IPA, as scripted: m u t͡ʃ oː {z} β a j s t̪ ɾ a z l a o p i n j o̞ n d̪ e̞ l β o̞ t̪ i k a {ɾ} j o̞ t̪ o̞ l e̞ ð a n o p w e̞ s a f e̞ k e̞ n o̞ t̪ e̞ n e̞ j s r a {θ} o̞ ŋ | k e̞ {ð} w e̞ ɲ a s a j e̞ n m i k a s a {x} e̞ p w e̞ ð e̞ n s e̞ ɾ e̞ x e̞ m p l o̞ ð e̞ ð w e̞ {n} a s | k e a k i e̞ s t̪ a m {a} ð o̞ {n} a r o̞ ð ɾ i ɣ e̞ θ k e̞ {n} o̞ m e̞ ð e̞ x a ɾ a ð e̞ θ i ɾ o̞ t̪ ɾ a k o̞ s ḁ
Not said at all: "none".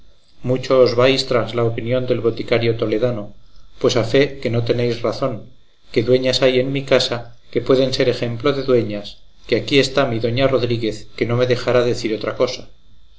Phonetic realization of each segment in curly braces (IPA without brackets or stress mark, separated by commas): z, ɾ, θ, ð, k, ɲ, i, ɲ, n